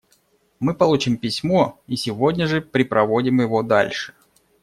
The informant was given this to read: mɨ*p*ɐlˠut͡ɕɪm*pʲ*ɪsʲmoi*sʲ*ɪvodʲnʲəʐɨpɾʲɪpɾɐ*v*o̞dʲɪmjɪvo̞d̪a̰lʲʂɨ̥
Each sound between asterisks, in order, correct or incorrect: correct, correct, correct, correct

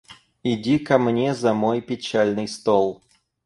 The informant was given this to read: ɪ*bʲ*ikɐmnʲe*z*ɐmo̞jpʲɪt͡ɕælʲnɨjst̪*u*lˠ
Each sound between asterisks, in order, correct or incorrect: incorrect: dʲ, correct, incorrect: o

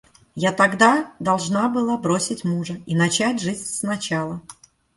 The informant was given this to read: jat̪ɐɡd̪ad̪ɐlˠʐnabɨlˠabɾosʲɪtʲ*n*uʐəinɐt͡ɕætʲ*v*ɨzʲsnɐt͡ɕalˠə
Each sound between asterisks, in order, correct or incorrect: incorrect: m, incorrect: ʐ

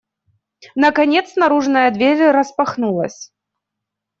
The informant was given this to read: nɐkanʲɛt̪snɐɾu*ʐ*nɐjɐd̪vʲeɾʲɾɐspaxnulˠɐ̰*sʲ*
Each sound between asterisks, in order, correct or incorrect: correct, correct

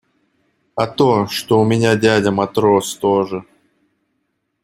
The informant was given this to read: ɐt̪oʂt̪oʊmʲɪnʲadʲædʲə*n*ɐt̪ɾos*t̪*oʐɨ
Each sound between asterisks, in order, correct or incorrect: incorrect: m, correct

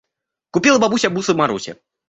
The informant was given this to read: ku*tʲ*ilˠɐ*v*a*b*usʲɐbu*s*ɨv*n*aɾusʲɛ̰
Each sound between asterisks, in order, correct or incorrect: incorrect: pʲ, incorrect: b, correct, correct, incorrect: m

